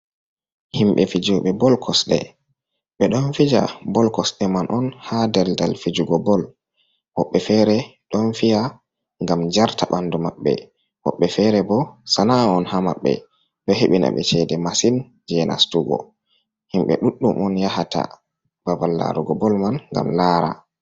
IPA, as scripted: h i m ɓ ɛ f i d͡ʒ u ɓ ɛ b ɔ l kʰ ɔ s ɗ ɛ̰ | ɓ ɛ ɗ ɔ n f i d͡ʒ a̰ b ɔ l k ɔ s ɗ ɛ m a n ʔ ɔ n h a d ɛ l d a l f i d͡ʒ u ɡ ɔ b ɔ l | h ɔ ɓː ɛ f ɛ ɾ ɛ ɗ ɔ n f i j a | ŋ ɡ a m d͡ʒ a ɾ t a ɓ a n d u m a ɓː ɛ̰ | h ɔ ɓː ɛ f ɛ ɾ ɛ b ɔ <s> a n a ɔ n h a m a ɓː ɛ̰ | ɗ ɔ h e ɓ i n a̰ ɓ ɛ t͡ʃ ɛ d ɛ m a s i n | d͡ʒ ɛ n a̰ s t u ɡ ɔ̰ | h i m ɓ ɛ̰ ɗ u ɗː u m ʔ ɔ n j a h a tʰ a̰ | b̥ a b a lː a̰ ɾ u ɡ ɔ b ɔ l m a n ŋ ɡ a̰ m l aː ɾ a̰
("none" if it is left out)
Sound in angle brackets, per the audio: s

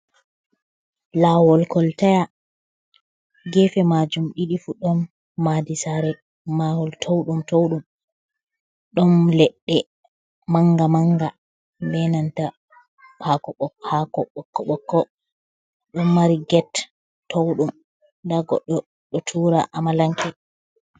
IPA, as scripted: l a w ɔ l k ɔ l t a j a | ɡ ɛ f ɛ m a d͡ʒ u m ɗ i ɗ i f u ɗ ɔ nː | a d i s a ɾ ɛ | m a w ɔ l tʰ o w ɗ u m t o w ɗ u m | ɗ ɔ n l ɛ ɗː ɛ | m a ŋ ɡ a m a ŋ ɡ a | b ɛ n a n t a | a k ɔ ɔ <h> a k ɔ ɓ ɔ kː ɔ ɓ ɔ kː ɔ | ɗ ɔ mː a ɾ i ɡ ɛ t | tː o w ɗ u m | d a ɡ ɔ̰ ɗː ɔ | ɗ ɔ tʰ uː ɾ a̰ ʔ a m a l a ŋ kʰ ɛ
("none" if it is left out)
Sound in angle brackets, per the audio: h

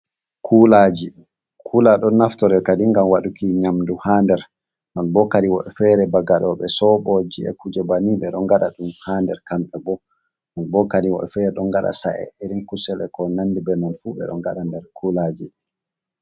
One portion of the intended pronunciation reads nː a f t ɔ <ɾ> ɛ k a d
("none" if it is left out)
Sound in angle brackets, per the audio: ɾ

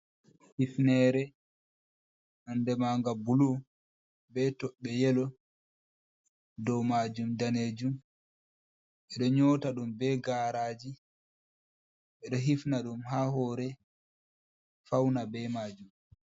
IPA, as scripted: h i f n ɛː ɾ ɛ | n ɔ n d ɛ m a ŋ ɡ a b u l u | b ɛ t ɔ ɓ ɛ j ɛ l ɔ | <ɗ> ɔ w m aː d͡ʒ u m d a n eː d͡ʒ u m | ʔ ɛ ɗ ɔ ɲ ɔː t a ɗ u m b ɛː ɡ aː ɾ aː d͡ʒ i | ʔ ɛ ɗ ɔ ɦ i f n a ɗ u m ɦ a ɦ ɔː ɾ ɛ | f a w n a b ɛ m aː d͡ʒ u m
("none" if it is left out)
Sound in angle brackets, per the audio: d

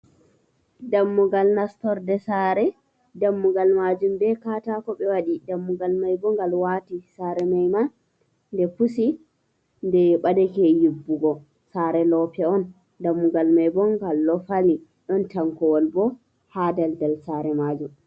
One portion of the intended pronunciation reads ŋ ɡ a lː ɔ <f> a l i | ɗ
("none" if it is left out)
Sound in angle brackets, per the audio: f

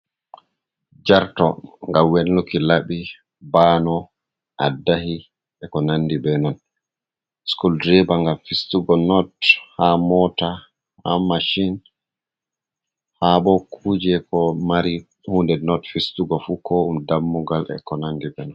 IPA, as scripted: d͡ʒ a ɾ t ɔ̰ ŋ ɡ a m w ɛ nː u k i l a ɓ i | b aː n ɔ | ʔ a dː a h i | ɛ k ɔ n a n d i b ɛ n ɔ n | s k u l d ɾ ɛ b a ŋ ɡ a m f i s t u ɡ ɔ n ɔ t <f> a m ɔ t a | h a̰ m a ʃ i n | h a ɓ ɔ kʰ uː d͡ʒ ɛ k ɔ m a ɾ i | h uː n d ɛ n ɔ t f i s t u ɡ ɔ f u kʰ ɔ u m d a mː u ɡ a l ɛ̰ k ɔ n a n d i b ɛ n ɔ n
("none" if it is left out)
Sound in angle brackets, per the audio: h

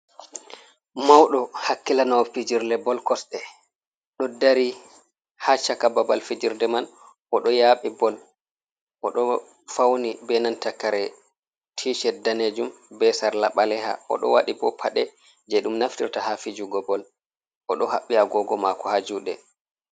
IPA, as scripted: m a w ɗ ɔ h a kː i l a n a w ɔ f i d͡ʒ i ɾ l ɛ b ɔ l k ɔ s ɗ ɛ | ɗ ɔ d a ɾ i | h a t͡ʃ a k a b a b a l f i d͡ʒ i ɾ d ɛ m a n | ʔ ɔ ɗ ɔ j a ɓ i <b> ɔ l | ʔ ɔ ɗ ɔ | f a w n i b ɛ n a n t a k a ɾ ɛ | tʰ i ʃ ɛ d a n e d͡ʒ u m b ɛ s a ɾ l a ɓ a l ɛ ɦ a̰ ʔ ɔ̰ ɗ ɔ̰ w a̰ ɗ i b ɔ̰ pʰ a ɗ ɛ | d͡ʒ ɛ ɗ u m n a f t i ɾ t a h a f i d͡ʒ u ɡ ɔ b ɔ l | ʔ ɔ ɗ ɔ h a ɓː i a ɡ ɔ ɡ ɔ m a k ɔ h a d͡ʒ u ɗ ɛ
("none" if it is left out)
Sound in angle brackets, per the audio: b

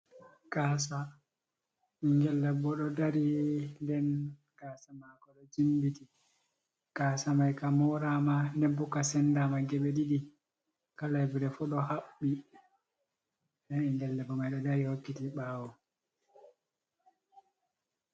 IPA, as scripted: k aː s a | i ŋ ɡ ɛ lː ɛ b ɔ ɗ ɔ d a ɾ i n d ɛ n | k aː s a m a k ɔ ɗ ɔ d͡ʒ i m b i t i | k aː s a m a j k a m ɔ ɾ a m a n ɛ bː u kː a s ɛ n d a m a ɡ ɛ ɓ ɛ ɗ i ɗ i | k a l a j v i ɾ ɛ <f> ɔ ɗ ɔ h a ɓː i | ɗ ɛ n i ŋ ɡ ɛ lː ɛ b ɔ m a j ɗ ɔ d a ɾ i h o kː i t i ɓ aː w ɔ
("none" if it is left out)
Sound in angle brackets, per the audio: f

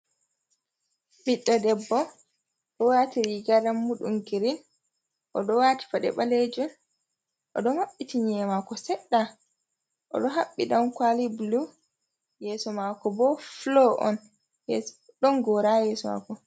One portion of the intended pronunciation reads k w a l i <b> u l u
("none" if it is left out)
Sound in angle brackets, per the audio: b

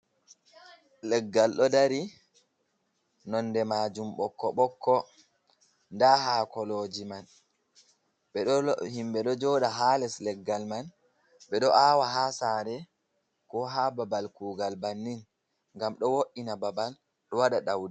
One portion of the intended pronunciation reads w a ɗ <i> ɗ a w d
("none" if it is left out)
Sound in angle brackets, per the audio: a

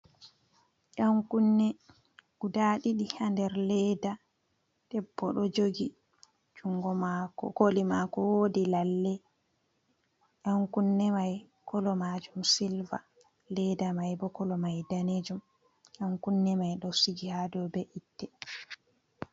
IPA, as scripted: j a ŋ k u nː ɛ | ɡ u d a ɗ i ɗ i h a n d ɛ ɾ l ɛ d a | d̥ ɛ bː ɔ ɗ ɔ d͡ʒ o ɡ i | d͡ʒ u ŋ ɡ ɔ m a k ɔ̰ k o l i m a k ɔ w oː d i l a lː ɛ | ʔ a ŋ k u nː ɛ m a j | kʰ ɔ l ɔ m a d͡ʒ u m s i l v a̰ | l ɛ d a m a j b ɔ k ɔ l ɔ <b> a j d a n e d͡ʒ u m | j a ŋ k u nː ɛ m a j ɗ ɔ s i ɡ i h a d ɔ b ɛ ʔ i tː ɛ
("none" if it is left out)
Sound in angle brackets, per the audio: m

